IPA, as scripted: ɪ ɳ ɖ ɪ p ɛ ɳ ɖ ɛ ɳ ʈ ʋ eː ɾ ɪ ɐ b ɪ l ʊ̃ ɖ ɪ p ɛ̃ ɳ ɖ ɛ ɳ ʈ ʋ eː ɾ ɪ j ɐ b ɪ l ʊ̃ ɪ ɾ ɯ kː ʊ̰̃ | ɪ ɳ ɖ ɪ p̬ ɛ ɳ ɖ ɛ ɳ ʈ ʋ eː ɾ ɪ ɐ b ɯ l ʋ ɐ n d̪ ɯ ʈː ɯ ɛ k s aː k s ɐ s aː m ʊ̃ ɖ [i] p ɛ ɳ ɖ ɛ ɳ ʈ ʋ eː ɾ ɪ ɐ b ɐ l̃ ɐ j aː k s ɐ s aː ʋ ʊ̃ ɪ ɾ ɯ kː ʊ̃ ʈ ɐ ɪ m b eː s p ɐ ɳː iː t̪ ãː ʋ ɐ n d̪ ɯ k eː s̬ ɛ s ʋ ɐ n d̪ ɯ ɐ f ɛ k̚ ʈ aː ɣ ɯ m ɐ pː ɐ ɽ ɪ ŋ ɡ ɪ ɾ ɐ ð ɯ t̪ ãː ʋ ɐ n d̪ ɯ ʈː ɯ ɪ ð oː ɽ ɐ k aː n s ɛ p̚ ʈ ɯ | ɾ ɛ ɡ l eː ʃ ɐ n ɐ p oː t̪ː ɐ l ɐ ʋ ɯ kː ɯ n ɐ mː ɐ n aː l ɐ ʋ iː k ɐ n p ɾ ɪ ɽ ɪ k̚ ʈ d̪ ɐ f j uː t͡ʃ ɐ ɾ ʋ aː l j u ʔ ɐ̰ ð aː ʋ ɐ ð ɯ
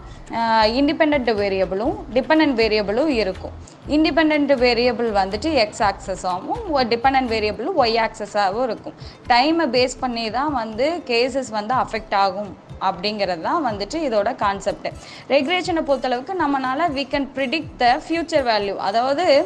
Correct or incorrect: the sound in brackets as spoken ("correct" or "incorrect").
incorrect